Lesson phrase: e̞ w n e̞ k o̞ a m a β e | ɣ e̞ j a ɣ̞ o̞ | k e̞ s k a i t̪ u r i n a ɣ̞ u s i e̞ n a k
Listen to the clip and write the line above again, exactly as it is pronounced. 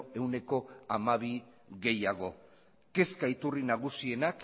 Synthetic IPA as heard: e̞ w n e̞ k o̞ a m a β i | ɣ e̞ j a ɣ̞ o̞ | k e̞ s k a i t̪ u r i n a ɣ̞ u s i e̞ n a k

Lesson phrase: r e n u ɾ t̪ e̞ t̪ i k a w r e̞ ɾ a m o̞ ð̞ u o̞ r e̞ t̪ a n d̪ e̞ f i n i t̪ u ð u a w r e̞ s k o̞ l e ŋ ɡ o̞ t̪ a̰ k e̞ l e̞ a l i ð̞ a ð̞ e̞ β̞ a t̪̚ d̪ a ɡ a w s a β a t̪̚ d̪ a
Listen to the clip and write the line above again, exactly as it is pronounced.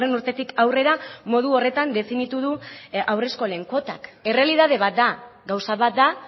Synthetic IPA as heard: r e n u ɾ t̪ e̞ t̪ i k a w r e̞ ɾ a m o̞ ð̞ u o̞ r e̞ t̪ a n d̪ e̞ f i n i t̪ u ð u a w r e̞ s k o̞ l e ŋ k o̞ t̪ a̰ k e̞ r e̞ a l i ð̞ a ð̞ e̞ β̞ a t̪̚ d̪ a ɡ a w s a β a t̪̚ d̪ a

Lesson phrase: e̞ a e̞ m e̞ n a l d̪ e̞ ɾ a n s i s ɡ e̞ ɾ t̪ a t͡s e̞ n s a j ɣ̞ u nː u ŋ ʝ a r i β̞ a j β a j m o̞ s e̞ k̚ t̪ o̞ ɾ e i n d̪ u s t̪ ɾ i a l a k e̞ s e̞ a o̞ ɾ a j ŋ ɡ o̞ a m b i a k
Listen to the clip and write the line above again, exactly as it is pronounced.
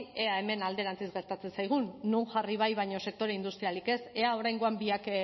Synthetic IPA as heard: e̞ a e̞ m e̞ n a l d̪ e̞ ɾ a n t͡s i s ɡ e̞ ɾ t̪ a t͡s e̞ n s a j ɣ̞ u nː u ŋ ʝ a r i β̞ a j β a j ɲ o̞ s e̞ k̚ t̪ o̞ ɾ e i n d̪ u s t̪ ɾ i a l i k e̞ s e̞ a o̞ ɾ a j ŋ ɡ o̞ a m b i a k

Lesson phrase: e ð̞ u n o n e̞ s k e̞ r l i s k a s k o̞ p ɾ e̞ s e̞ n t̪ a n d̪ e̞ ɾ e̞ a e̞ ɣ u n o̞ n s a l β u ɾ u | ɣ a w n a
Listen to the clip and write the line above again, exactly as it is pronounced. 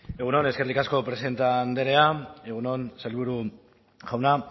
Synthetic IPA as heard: e ɣ̞ u n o n e̞ s k e̞ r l i k a s k o̞ p ɾ e̞ s e̞ n t̪ a n d̪ e̞ ɾ e̞ a e̞ ɣ u n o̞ n s a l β u ɾ u | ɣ a w n a

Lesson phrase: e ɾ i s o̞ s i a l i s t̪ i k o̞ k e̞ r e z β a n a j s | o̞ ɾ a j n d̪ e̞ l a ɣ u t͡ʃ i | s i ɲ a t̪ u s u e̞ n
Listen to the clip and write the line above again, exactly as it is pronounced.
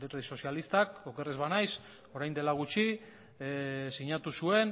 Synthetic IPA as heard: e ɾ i s o̞ s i a l i s t̪ a k o̞ k e̞ r e z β a n a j s | o̞ ɾ a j n d̪ e̞ l a ɣ u t͡ʃ i | s i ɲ a t̪ u s u e̞ n

